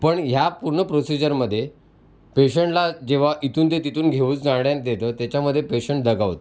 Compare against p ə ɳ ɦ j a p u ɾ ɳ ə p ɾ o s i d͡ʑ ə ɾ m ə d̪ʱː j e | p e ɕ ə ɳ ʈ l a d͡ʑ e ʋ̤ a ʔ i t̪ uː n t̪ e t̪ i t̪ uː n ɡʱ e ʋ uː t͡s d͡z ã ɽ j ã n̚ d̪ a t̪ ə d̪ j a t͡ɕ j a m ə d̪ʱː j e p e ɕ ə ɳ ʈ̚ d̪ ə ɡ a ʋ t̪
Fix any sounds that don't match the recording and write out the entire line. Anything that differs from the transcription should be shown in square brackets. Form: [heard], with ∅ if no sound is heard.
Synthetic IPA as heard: p ə ɳ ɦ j a p u ɾ ɳ ə p ɾ o s i d͡ʑ ə ɾ m ə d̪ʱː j e | p e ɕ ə ɳ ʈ l a d͡ʑ e ʋ̤ a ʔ i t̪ uː n t̪ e t̪ i t̪ uː n ɡʱ e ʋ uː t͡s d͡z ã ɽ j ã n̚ d̪ [e] t̪ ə [t̪] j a t͡ɕ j a m ə d̪ʱː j e p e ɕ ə ɳ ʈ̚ d̪ ə ɡ a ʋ t̪